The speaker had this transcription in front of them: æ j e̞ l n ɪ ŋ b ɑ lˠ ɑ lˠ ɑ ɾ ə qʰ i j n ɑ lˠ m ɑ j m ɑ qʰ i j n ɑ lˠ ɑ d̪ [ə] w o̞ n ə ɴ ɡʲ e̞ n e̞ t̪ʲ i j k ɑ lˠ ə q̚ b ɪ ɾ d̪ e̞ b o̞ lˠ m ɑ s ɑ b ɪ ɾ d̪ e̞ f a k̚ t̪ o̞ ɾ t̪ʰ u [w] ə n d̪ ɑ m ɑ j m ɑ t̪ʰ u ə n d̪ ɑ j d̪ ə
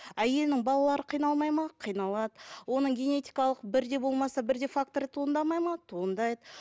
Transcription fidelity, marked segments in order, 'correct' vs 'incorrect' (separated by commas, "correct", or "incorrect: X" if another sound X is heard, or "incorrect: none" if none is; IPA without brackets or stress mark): correct, incorrect: none